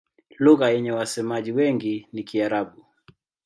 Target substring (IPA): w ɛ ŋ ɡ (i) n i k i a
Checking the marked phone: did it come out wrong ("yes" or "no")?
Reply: no